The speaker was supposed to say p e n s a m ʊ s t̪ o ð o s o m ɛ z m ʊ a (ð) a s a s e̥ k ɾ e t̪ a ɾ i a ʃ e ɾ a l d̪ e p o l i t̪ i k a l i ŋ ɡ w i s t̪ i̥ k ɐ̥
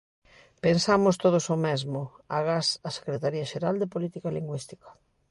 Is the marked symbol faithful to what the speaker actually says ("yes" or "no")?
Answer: no